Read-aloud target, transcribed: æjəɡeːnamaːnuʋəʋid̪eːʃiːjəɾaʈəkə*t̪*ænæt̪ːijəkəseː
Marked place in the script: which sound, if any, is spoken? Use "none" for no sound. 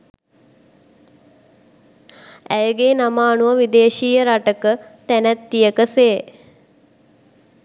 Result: t̪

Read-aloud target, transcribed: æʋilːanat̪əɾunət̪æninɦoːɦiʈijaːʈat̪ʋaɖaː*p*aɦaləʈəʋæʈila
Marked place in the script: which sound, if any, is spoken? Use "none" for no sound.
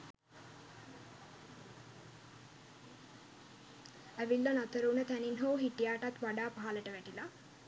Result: p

